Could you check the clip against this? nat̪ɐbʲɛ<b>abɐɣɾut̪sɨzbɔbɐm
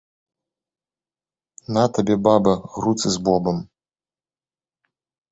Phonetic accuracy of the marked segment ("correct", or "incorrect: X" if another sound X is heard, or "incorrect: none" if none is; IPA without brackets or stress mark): correct